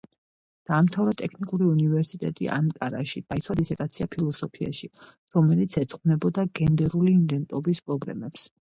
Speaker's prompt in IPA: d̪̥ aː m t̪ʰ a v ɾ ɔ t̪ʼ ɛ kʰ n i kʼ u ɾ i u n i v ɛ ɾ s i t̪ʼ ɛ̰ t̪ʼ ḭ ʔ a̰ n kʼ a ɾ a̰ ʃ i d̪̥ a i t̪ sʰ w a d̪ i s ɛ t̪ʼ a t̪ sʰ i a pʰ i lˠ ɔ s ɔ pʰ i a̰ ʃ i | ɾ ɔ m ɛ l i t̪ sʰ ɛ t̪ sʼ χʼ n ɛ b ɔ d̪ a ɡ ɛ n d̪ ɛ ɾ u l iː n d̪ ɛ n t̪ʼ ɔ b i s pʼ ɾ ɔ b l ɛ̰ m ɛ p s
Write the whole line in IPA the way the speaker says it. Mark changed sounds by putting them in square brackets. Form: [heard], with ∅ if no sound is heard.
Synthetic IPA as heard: d̪̥ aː m t̪ʰ a v ɾ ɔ t̪ʼ ɛ kʰ n i kʼ u ɾ i u n i v ɛ ɾ s i t̪ʼ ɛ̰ t̪ʼ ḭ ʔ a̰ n kʼ a ɾ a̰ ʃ i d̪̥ a i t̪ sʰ w a d̪ i s ɛ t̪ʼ a t̪ sʰ i a pʰ i lˠ ɔ s ɔ pʰ i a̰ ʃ i | ɾ ɔ m ɛ l i t̪ sʰ ɛ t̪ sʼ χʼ n ɛ b ɔ d̪ a ɡ ɛ n d̪ ɛ ɾ u l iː n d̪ ɛ n t̪ʼ ɔ b i s pʼ ɾ ɔ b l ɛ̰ m ɛ p s